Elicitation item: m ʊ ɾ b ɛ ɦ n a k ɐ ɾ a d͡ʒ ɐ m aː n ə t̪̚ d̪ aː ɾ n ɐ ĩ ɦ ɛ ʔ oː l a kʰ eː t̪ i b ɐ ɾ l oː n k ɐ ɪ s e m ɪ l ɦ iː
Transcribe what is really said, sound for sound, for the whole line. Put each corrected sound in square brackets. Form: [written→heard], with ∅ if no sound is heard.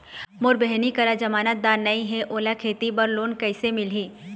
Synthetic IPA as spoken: m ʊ ɾ b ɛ ɦ n [a→i] k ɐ ɾ a d͡ʒ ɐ m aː n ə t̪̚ d̪ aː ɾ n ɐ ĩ ɦ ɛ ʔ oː l a kʰ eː t̪ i b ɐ ɾ l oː n k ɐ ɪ s e m ɪ l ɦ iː